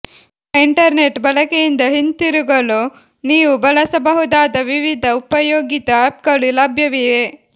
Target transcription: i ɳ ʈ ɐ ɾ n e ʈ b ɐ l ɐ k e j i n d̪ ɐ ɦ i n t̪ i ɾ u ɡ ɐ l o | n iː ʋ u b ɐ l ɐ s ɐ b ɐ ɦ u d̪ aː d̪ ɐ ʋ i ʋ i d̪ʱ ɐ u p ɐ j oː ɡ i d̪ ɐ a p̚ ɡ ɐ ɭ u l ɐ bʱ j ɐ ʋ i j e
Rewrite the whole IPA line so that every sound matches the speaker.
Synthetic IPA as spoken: i ɳ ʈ ɐ ɾ n e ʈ b ɐ l ɐ k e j i n d̪ ɐ ɦ i n t̪ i ɾ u ɡ ɐ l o | n iː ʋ u b ɐ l ɐ s ɐ b ɐ ɦ u d̪ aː d̪ ɐ ʋ i ʋ i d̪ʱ ɐ u p ɐ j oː ɡ i t̪ ɐ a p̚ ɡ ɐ ɭ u l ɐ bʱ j ɐ ʋ i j e